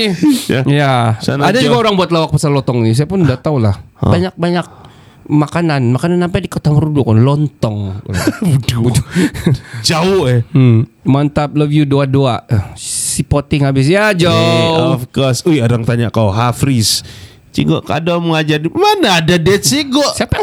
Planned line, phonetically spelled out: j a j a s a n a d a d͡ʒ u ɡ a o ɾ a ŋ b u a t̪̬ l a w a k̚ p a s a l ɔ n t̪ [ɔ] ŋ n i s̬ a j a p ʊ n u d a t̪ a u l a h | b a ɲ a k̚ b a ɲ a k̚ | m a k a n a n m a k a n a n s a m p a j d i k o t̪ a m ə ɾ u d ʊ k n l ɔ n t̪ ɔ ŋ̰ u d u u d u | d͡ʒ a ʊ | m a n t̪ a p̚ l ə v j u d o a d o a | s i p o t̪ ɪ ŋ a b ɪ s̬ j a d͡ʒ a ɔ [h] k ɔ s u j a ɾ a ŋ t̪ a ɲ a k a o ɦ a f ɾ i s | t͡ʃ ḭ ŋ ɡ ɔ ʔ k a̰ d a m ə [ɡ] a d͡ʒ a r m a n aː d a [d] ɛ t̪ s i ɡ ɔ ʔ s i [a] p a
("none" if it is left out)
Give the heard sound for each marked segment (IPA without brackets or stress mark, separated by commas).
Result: ɔ, f, ŋ, d, a